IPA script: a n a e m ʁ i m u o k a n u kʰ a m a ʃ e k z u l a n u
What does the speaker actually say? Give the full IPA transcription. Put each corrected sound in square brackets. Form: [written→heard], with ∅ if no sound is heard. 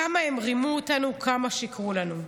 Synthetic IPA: a [n→m] a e m ʁ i m u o [k→t] a n u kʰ a m a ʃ [e→i] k [z→ʁ] u l a n u